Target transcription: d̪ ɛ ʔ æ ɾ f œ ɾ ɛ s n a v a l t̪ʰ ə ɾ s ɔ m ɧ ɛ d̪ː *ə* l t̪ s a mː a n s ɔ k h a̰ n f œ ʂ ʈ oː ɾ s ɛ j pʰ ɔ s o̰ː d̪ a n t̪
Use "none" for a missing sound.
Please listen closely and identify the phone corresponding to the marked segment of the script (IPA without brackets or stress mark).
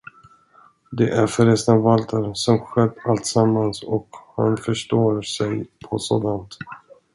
a